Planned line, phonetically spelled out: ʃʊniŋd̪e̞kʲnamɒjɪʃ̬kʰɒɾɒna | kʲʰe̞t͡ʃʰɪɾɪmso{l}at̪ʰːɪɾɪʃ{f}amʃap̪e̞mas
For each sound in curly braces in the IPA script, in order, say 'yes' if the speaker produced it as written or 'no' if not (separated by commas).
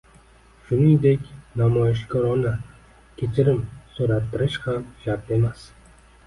no, no